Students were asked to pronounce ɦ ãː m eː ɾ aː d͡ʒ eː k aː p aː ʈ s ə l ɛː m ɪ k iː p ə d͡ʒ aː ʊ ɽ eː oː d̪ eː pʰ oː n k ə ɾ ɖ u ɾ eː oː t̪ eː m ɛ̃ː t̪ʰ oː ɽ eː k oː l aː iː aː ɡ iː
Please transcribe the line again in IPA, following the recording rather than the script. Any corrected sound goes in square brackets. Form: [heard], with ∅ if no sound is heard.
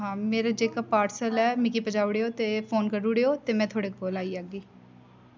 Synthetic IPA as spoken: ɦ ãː m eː ɾ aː d͡ʒ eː k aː p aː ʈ s ə l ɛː m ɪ k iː p ə d͡ʒ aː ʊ ɽ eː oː [t̪] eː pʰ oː n k ə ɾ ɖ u [ɽ] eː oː t̪ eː m ɛ̃ː t̪ʰ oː ɽ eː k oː l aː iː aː ɡ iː